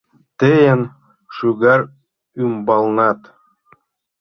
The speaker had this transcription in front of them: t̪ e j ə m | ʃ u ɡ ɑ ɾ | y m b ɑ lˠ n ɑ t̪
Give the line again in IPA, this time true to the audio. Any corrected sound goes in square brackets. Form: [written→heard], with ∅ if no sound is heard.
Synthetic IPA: t̪ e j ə [m→n] | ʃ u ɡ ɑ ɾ | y m b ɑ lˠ n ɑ t̪